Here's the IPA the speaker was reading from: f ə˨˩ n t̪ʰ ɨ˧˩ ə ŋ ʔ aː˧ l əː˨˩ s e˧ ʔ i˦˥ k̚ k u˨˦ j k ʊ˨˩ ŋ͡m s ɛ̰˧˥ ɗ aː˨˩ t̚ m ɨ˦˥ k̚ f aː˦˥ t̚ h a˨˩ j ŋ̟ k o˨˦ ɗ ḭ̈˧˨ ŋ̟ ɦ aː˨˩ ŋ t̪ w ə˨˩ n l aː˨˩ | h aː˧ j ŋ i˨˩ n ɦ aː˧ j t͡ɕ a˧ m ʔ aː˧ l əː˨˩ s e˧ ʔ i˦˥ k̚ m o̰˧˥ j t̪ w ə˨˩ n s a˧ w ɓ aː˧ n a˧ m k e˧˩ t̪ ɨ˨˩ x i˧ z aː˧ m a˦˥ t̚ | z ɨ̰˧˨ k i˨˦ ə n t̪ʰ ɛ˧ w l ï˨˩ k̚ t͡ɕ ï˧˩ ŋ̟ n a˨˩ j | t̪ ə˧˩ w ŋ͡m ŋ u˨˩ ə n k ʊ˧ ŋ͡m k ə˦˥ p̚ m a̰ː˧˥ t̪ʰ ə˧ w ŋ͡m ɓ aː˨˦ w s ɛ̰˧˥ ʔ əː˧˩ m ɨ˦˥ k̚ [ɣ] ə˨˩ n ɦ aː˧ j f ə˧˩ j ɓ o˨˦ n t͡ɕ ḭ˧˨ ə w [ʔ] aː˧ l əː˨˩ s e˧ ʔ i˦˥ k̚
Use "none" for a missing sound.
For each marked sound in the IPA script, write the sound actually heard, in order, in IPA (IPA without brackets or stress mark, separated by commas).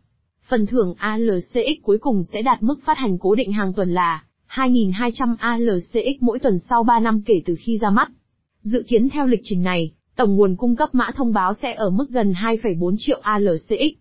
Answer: ɣ, ʔ